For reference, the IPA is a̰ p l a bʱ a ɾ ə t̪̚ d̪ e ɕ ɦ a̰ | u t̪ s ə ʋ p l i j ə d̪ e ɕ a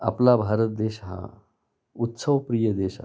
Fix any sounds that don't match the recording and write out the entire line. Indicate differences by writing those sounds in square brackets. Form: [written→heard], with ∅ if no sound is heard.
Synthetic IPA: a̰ p l a bʱ a ɾ ə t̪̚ d̪ e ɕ ɦ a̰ | u t̪ s ə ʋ p [l→ɾ] i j ə d̪ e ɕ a